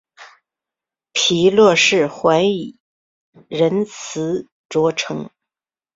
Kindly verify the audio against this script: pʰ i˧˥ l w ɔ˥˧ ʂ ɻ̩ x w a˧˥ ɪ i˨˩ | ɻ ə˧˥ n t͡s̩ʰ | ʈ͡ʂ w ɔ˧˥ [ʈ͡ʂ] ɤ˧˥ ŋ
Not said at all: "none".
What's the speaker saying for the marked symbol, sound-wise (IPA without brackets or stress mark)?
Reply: ʈ͡ʂʰ